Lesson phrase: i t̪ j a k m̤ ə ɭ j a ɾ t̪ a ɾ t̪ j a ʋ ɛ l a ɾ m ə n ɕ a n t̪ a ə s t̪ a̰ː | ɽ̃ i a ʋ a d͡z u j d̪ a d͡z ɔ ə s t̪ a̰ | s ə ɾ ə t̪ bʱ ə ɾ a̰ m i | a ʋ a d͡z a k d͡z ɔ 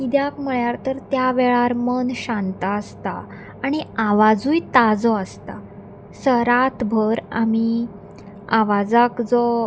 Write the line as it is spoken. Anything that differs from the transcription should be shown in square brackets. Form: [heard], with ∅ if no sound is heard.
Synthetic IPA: i [d̪] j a k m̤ ə ɭ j a ɾ t̪ [ə] ɾ t̪ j a ʋ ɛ [ɭ] a ɾ m ə n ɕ a n t̪ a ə s t̪ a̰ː | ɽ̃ i a ʋ a d͡z u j [t̪] a d͡z ɔ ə s t̪ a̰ | s ə ɾ [a] t̪ bʱ ə ɾ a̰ m i | a ʋ a d͡z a k d͡z ɔ